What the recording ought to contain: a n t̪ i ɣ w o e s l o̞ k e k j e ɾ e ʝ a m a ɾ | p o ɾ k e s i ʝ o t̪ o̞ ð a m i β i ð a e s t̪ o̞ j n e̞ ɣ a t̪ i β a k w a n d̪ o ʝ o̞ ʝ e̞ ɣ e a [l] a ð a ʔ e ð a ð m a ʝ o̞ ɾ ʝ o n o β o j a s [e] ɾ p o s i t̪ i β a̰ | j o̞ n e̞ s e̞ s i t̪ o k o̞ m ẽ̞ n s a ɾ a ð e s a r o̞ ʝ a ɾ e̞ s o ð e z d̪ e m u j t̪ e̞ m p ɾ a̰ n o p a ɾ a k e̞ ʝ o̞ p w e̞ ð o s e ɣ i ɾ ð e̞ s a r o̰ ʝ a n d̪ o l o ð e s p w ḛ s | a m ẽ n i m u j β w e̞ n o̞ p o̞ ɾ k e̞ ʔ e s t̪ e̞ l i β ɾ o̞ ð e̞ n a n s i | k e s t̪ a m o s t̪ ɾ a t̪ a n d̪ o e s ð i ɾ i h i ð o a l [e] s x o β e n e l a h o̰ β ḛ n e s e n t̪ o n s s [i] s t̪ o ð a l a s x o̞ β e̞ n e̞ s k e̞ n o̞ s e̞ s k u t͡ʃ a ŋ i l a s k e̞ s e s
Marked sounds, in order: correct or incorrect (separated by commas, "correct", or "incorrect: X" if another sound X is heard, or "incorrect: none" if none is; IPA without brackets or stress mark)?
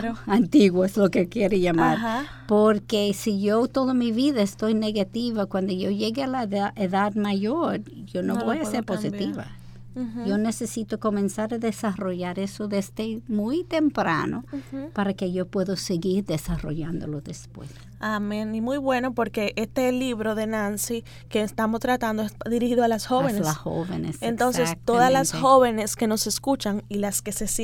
correct, correct, incorrect: a, incorrect: e